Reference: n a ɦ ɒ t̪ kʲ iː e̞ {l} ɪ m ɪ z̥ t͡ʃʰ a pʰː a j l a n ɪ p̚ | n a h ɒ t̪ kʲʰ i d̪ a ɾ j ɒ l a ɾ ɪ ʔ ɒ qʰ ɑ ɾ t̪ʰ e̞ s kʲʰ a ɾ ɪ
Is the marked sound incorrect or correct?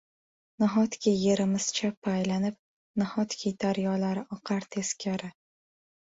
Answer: incorrect